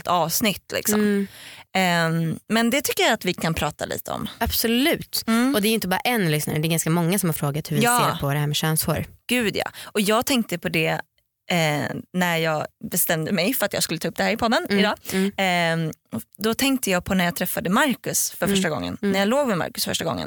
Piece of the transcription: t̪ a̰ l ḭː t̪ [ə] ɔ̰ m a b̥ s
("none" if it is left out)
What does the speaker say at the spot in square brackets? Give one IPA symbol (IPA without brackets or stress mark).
ə